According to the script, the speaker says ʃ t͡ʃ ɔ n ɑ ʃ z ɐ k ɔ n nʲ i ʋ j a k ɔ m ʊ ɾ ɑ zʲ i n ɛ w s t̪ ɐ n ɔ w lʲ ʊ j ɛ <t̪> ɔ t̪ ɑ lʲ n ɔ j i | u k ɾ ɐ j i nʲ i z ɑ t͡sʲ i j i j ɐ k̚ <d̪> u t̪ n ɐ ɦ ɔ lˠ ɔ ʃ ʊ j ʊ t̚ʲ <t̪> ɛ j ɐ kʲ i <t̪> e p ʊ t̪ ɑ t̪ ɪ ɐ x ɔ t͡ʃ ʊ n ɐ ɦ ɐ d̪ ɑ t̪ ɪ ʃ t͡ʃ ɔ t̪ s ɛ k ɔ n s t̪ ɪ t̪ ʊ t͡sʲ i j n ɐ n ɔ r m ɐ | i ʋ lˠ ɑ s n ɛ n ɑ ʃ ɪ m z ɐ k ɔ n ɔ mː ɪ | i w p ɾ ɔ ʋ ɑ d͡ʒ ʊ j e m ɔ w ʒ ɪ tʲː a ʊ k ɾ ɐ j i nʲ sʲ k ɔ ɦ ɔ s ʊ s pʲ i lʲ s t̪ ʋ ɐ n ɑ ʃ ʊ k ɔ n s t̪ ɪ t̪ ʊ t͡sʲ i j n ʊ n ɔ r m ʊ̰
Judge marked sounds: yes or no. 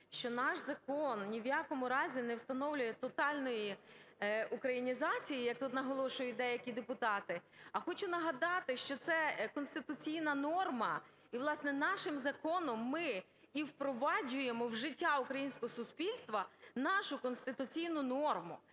yes, no, no, no

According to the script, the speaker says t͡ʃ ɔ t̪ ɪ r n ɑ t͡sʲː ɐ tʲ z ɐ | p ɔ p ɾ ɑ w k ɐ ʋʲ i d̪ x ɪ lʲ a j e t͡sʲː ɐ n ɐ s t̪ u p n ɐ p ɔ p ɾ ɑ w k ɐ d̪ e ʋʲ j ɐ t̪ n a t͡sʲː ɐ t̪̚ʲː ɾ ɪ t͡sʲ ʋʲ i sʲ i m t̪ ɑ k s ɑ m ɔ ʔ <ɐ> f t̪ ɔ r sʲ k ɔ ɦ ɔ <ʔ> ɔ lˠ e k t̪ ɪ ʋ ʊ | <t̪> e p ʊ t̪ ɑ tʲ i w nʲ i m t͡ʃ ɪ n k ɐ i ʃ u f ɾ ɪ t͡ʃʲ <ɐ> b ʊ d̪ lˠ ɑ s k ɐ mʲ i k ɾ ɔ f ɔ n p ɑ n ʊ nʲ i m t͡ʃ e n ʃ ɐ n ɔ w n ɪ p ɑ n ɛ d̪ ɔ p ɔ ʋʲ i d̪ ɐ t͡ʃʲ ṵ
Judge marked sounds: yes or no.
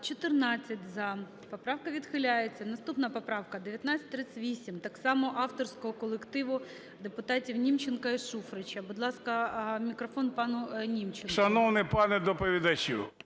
no, no, no, yes

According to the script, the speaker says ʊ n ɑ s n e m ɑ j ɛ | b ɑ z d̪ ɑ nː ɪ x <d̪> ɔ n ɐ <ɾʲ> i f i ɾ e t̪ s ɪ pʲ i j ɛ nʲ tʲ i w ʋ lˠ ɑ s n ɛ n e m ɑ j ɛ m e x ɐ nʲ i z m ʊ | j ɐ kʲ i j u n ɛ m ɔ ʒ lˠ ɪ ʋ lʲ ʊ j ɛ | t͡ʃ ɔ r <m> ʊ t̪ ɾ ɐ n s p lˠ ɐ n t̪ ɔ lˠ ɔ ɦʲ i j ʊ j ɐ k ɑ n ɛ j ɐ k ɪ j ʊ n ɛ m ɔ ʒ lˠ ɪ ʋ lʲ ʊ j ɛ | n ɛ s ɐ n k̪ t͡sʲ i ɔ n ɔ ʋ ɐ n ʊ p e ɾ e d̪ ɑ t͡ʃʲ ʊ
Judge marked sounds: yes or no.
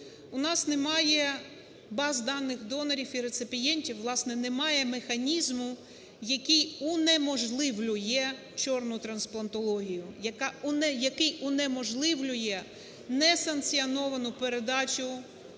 yes, yes, no

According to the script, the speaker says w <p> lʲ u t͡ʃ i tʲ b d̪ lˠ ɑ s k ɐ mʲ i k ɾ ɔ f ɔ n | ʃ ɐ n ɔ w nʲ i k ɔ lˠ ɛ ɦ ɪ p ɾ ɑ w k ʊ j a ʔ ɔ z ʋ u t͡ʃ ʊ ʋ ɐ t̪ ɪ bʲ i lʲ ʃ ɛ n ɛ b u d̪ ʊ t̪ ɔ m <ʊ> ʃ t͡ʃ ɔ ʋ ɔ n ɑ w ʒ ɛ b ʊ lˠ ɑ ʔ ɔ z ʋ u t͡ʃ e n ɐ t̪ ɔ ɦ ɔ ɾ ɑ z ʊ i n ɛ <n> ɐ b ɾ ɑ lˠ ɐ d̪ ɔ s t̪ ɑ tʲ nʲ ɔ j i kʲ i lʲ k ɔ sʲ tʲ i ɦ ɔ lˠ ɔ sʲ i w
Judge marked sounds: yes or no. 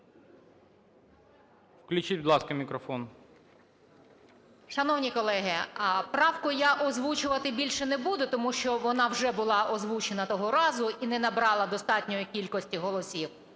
no, no, yes

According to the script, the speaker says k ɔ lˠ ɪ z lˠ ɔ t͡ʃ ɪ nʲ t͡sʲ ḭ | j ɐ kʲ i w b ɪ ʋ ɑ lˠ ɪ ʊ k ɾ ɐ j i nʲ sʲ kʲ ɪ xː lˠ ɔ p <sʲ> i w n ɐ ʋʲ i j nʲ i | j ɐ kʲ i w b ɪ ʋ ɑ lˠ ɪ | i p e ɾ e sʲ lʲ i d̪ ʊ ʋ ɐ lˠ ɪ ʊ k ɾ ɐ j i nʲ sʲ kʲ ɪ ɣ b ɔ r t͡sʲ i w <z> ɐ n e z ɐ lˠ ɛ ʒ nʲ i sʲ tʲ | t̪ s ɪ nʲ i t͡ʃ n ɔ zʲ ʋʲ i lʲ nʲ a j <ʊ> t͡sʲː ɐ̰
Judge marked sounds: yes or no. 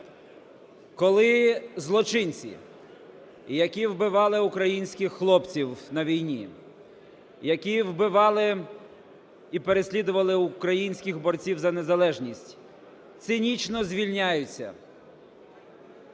no, yes, yes

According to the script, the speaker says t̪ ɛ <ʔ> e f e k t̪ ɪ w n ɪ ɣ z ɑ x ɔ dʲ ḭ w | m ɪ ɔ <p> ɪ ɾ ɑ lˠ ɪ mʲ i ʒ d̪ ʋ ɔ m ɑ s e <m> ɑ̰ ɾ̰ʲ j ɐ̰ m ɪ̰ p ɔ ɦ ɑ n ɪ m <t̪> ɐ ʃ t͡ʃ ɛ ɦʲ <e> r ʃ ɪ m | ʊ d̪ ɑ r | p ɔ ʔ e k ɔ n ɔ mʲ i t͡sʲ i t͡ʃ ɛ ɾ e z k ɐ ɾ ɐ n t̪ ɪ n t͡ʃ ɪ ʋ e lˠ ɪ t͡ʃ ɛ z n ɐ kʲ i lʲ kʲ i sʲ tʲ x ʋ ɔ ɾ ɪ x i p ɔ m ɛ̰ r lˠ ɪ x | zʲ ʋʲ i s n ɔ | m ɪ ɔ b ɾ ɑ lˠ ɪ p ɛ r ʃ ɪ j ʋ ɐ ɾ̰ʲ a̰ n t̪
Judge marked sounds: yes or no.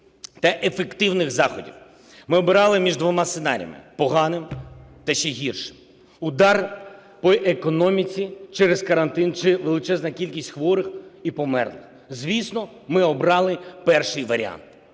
yes, no, no, yes, no

